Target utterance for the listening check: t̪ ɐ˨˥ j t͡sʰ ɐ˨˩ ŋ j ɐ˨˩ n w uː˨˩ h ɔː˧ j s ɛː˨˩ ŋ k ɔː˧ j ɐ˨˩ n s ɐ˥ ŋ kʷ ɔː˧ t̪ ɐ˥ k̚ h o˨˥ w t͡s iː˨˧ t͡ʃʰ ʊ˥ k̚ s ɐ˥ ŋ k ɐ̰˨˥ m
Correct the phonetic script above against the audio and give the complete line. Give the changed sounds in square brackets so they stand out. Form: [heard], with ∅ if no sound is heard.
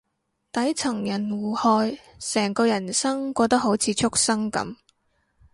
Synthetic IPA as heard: t̪ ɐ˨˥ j t͡sʰ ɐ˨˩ ŋ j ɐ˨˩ n w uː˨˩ h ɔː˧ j s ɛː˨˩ ŋ k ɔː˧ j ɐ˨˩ n s ɐ˥ ŋ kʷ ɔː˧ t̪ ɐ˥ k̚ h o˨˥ w [t͡sʰ] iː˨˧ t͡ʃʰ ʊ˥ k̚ s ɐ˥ ŋ k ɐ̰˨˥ m